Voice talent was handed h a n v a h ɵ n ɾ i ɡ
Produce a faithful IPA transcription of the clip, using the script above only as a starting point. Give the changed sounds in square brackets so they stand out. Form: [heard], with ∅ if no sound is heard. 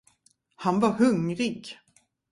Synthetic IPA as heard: h a n v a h ɵ [ŋ] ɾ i ɡ

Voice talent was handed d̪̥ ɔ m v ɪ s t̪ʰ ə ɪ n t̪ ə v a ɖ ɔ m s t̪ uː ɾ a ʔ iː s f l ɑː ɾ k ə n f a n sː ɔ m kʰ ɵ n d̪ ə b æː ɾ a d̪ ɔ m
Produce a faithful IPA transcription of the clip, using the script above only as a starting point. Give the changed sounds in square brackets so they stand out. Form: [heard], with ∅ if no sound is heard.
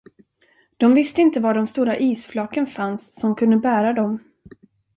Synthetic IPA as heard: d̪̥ ɔ m v ɪ s [t̪] ə ɪ n t̪ ə v a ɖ ɔ m s t̪ uː ɾ a ʔ iː s f l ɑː [∅] k ə n f a n sː ɔ m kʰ ɵ n d̪ ə b æː ɾ a d̪ ɔ m

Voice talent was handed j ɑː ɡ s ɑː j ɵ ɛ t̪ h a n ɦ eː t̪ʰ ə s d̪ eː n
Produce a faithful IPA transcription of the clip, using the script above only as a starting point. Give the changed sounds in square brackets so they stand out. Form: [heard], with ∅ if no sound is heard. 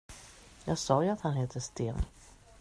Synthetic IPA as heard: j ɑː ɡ s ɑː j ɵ [a] t̪ h a n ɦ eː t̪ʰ ə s [t̪] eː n

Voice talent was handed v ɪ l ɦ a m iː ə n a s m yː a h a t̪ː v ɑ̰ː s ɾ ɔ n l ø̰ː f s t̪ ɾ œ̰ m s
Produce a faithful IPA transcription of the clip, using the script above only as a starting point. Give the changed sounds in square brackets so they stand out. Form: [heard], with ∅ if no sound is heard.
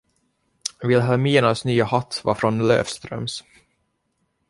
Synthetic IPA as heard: v ɪ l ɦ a m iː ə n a s [n] yː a h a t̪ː v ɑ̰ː [f] ɾ ɔ n l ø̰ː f s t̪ ɾ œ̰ m s

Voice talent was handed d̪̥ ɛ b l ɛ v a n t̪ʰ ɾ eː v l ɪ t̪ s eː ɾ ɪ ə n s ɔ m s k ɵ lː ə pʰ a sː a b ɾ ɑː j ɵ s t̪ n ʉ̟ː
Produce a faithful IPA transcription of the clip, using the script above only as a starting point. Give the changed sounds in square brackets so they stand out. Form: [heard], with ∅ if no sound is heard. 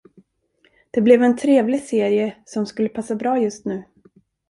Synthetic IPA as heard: d̪̥ ɛ b l ɛ v [ɛ] n t̪ʰ ɾ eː v l ɪ [∅] s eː ɾ ɪ ə [∅] s ɔ m s k ɵ lː ə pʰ a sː a b ɾ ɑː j ɵ s t̪ n ʉ̟ː

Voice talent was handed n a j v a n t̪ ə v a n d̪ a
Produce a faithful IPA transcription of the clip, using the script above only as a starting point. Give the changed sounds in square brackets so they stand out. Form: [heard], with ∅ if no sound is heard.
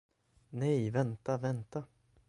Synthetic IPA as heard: n [ɛ] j v [ɛ] n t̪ [a] v [ɛ] n [t̪] a

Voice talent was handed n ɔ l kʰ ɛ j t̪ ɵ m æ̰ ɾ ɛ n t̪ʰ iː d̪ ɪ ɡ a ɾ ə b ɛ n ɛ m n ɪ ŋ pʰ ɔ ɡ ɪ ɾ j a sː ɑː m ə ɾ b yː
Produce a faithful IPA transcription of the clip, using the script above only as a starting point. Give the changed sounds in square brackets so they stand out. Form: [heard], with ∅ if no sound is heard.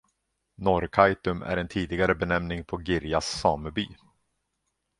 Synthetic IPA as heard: n ɔ [ɾ] kʰ [a] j t̪ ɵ m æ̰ ɾ ɛ n t̪ʰ iː d̪ ɪ ɡ a ɾ ə b ɛ n ɛ m n ɪ ŋ pʰ ɔ ɡ ɪ ɾ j a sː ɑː m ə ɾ b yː

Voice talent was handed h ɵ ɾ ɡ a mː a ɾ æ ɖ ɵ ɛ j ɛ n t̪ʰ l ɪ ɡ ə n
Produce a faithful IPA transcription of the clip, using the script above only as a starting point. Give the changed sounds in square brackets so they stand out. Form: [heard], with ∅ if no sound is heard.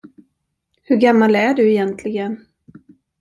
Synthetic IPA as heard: h ɵ ɾ ɡ a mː a [l] æ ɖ ɵ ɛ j ɛ n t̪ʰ l ɪ ɡ ə n

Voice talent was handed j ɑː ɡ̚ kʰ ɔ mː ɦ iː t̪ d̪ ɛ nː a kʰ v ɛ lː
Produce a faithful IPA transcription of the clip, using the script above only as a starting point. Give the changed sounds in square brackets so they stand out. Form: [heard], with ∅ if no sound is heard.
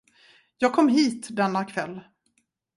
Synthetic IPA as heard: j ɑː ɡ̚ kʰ ɔ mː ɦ iː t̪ d̪ ɛ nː a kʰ v ɛ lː

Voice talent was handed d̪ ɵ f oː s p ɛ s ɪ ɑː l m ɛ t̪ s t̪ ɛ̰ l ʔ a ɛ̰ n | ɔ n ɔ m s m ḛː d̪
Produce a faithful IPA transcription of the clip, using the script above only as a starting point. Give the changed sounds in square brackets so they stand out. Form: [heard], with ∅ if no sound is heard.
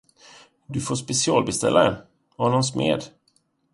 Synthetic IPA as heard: d̪ ɵ f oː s p ɛ s ɪ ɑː l [b] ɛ [∅] s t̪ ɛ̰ l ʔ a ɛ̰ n | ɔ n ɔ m s m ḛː d̪

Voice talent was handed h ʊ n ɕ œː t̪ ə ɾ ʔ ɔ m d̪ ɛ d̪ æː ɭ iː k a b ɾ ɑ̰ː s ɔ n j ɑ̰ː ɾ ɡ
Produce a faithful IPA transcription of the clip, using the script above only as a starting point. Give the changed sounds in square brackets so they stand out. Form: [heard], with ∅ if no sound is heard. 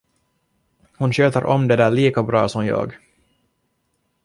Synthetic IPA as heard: h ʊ n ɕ [øː] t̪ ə ɾ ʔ ɔ m d̪ ɛ d̪ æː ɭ iː k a b ɾ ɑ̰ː s ɔ [m] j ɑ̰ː [∅] ɡ

